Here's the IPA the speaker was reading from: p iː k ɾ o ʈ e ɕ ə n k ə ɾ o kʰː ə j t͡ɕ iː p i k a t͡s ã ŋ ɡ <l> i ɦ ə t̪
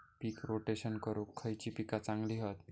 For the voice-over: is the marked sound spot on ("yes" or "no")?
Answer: yes